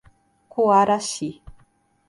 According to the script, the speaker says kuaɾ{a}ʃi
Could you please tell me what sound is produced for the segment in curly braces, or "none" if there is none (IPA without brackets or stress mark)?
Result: a